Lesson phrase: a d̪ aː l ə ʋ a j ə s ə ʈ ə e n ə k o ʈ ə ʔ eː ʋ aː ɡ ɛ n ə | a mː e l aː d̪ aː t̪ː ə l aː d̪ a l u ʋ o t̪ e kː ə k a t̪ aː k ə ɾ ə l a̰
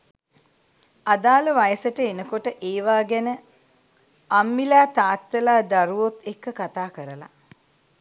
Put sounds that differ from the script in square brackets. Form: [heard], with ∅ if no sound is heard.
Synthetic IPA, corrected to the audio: a d̪ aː l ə ʋ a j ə s ə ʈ ə e n ə k o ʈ ə ʔ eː ʋ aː ɡ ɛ n ə | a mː [i] l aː [t̪] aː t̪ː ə l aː d̪ a [ɾ] u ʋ o t̪ e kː ə k a t̪ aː k ə ɾ ə l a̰